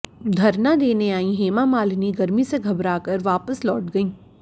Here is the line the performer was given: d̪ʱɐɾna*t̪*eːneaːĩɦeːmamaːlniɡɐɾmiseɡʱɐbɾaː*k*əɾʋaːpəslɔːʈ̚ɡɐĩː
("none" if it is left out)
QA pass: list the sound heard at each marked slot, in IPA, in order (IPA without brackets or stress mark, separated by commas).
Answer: d̪, k